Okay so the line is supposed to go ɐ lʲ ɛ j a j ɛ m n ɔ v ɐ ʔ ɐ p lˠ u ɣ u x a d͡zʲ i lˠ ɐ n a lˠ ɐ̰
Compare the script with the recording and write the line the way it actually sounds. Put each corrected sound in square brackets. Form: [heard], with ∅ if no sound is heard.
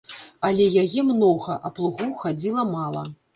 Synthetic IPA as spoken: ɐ lʲ ɛ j a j ɛ m n ɔ [ɣ] ɐ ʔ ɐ p lˠ u ɣ u x a d͡zʲ i lˠ ɐ [m] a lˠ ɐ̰